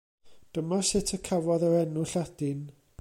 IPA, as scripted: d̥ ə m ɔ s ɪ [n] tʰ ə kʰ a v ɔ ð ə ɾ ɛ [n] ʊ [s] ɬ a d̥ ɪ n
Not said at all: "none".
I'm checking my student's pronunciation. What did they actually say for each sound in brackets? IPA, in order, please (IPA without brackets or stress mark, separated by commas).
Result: none, n, none